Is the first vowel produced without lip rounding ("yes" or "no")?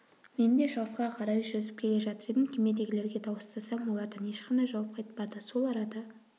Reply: yes